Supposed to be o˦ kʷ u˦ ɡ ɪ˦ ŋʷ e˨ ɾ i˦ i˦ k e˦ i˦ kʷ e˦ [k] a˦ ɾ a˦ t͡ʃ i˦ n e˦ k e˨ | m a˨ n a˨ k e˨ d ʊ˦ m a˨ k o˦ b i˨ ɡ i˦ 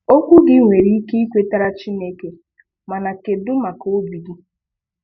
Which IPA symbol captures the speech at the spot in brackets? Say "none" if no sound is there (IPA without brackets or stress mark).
t